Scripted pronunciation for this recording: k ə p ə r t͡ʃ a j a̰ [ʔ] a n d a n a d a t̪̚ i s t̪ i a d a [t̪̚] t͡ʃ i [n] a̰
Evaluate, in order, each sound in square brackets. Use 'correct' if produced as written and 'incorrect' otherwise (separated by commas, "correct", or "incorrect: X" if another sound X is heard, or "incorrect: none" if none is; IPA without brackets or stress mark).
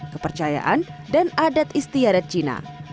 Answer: correct, correct, correct